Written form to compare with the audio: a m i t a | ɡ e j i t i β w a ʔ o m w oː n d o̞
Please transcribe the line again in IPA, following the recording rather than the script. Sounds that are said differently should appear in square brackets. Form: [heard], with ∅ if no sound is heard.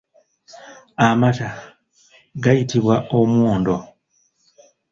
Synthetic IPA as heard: a m [a] t a | ɡ [a] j i t i β w a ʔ o m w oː n d o̞